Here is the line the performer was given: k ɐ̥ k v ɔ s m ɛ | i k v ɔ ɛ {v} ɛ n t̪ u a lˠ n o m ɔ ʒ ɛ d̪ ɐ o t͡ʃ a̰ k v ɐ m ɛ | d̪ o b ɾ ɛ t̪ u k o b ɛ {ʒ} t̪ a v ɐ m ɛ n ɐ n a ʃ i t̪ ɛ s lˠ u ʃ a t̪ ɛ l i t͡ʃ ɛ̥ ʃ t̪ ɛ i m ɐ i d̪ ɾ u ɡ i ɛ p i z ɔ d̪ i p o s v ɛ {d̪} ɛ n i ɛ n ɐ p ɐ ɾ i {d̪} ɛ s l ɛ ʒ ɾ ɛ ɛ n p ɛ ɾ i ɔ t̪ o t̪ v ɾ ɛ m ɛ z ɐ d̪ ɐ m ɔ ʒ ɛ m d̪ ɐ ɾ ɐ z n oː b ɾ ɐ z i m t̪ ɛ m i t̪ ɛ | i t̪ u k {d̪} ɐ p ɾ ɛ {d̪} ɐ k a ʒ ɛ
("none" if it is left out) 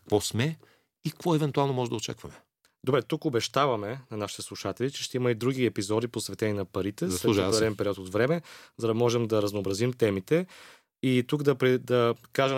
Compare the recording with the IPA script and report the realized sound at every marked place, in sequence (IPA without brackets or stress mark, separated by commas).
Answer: v, ʃ, t̪, t̪, d̪, d̪